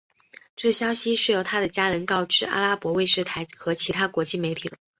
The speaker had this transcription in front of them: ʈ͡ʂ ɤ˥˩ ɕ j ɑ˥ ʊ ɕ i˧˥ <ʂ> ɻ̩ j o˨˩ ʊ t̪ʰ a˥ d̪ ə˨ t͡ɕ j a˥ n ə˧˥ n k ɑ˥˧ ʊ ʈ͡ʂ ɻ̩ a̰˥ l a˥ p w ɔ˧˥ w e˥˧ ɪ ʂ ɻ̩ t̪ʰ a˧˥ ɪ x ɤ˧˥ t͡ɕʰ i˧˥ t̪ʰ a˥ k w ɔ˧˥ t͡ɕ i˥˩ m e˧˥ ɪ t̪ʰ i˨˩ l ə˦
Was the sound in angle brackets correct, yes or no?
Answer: yes